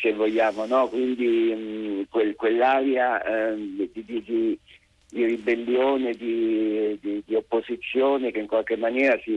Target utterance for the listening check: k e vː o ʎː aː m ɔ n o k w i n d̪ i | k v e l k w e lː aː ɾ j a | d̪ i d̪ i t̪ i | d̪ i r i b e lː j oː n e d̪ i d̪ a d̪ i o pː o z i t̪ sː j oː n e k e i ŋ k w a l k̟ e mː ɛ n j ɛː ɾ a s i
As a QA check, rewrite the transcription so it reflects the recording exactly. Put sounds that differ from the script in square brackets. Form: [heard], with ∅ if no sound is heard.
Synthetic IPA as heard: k e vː o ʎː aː m [o] n [ɔ] k w i n d̪ i | k [w] e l k w e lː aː ɾ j a | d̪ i d̪ i [d̪] i | d̪ i r i b e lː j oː n e d̪ i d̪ [i] d̪ i o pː o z i t̪ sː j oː n e k e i ŋ k w a l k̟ e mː [a] n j ɛː ɾ a s i